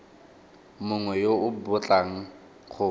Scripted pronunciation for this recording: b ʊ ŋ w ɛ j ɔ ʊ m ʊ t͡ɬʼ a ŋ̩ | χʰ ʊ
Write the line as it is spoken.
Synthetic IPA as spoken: m ʊ ŋ w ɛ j o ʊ b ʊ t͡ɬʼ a ŋ̩ | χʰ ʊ